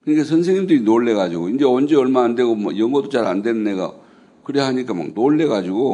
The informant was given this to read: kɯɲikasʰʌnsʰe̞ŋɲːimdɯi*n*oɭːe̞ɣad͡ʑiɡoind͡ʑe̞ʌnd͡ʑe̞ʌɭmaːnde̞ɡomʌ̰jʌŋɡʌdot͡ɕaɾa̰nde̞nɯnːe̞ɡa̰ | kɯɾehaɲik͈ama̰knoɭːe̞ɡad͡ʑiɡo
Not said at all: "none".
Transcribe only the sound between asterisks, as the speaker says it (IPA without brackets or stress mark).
n